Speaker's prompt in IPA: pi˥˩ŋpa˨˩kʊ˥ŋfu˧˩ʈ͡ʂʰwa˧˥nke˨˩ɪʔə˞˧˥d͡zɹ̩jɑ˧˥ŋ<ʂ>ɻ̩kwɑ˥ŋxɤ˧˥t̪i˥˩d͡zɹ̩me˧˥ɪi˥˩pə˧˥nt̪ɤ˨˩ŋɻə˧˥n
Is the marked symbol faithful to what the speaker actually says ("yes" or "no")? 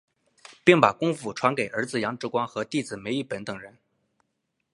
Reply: no